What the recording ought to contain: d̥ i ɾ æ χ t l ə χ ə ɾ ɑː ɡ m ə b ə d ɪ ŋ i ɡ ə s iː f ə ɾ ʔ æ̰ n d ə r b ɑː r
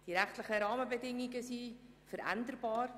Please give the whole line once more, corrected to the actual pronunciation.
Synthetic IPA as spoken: d̥ i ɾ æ χ t l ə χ ə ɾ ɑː m ə b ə d ɪ ŋ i ɡ ə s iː f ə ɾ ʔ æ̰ n d ə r b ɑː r